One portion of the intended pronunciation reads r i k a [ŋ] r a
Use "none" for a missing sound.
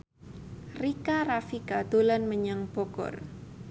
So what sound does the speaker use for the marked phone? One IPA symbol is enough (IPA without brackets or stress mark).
none